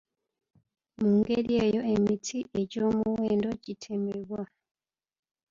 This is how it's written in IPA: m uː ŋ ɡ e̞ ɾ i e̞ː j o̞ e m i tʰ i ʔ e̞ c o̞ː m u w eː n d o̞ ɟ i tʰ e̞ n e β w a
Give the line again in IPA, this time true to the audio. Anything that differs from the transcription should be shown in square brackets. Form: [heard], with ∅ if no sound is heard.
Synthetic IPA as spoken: m uː ŋ ɡ e̞ ɾ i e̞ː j o̞ e m i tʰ i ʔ e̞ [ɟ] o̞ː m u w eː n d o̞ ɟ i tʰ e̞ [m] e β w a